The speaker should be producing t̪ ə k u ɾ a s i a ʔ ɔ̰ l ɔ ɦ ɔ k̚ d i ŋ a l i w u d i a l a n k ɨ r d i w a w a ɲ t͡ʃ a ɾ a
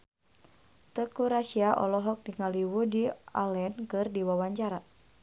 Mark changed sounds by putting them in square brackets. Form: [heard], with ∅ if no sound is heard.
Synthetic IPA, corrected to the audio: t̪ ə k u ɾ a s i a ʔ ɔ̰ l ɔ ɦ ɔ k̚ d i ŋ a l i w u d i a l [ɛ] n k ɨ r d i w a w a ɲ t͡ʃ a ɾ a